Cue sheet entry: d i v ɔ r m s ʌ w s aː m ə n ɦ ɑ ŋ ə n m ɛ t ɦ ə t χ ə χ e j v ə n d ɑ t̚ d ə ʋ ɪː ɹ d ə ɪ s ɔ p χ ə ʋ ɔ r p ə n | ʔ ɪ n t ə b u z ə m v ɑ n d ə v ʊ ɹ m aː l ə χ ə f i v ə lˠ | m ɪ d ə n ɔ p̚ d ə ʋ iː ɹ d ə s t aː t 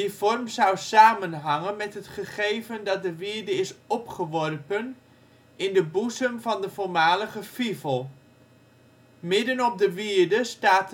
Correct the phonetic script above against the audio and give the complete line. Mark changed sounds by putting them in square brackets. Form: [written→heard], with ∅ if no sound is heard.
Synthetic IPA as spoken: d i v ɔ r m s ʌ w s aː m ə n ɦ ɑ ŋ ə n m ɛ t ɦ ə t χ ə χ e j v ə n d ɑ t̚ d ə ʋ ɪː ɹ d ə ɪ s ɔ p χ ə ʋ ɔ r p ə n | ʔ ɪ n [t→d] ə b u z ə m v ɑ n d ə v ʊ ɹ m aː l ə χ ə f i v ə lˠ | m ɪ d ə n ɔ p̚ d ə ʋ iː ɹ d ə s t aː t